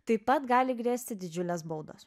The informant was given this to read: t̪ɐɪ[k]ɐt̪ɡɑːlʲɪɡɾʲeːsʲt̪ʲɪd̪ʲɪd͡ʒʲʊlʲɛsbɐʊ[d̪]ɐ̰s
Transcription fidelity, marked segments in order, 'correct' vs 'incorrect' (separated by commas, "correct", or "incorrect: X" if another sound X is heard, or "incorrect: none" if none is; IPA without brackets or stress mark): incorrect: p, correct